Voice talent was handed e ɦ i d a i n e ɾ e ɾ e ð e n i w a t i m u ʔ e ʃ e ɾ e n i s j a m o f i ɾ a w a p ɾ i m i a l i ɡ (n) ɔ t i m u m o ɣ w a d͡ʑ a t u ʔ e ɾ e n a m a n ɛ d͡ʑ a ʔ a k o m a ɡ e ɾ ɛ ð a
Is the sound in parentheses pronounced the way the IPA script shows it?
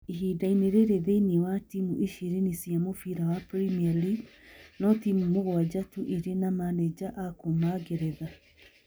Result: yes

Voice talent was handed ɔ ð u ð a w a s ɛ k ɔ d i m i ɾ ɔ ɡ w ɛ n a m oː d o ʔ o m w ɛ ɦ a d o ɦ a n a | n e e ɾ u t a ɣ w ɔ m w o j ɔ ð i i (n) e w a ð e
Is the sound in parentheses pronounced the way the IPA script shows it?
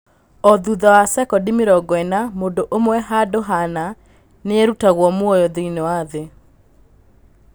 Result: yes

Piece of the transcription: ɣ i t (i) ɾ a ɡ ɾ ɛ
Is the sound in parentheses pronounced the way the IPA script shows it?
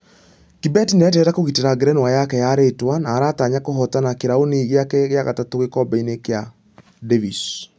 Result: no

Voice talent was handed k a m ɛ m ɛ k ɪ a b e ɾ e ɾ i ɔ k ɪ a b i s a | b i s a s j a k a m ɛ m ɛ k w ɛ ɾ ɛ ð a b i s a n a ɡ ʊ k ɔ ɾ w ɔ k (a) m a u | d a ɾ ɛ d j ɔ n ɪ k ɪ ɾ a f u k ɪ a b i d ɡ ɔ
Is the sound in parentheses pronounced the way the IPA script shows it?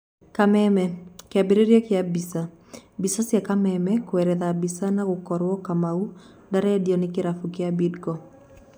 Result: yes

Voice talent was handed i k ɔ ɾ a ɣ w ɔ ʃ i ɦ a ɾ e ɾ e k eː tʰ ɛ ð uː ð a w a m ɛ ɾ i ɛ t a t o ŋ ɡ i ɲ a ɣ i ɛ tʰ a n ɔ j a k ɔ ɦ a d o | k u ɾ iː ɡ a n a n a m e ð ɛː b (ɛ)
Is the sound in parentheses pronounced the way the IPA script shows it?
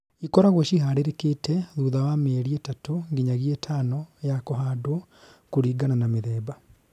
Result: no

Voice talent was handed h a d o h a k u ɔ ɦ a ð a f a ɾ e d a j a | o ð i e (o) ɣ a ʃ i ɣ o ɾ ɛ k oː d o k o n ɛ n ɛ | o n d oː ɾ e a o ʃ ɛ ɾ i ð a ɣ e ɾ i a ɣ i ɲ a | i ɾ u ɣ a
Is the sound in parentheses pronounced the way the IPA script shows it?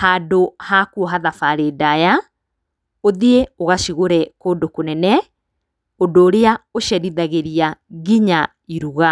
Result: yes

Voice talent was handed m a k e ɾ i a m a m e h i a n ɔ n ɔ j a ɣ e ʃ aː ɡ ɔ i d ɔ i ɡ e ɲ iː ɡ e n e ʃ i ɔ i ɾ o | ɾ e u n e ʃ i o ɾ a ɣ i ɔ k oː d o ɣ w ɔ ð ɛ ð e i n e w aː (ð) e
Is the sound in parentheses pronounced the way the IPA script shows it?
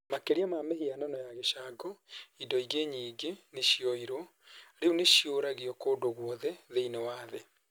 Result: yes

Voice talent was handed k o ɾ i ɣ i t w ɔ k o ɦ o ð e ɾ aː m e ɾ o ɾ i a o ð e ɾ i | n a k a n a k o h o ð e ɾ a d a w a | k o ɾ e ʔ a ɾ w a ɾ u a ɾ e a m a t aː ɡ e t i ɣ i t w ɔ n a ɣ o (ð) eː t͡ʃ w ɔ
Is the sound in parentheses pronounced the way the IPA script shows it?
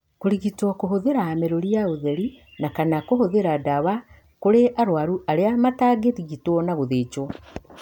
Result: yes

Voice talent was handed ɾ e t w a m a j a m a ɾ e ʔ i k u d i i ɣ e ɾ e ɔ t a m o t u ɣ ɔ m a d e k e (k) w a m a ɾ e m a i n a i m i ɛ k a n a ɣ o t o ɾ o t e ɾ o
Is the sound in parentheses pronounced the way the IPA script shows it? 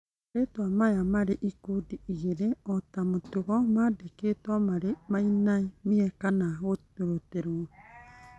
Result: no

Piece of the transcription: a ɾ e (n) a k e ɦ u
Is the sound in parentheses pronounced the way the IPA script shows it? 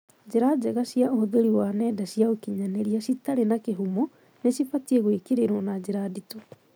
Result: yes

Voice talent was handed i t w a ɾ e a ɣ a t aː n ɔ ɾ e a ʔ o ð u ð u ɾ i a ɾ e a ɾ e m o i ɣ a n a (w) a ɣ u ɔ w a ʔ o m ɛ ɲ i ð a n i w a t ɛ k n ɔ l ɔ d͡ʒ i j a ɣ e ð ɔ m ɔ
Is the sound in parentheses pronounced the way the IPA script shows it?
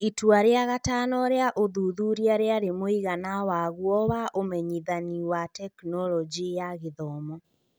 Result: yes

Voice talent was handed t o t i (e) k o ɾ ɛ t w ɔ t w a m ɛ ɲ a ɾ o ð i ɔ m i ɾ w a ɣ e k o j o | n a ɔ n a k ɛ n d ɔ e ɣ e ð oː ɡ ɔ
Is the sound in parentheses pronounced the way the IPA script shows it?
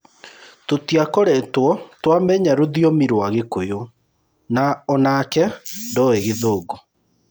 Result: no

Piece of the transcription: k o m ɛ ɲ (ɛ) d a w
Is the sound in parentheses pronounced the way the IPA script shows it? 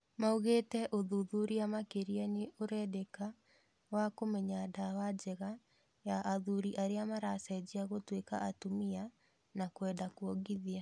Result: no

